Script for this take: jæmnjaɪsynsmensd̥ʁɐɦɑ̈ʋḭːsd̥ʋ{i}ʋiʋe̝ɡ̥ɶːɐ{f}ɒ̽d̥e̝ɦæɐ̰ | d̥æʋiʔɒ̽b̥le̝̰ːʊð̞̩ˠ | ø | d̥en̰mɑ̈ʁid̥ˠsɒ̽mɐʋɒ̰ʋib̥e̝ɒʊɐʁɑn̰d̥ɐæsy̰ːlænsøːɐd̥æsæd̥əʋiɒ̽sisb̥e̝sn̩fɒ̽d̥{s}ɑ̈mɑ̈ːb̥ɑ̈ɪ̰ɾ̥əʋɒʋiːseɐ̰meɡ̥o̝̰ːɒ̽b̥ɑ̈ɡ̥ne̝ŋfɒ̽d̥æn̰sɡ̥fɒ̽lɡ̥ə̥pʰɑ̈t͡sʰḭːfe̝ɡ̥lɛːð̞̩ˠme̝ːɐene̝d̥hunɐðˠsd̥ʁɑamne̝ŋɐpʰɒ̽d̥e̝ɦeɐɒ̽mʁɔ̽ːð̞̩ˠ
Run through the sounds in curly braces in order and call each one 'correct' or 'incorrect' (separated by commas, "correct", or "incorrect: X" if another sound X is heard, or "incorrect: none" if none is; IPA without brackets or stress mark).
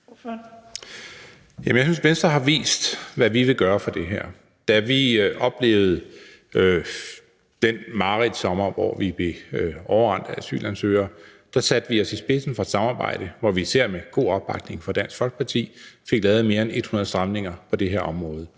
incorrect: æ, correct, correct